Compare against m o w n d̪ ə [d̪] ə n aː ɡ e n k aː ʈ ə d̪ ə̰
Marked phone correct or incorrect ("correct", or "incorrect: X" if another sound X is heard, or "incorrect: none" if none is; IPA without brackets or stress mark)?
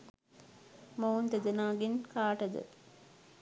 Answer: correct